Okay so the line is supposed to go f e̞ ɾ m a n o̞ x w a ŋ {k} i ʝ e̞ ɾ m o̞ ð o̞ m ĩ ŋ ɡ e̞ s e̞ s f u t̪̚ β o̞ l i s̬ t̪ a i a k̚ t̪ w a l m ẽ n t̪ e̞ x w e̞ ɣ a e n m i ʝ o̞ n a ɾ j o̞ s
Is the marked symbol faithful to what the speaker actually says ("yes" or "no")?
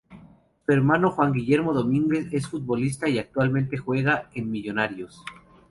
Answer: no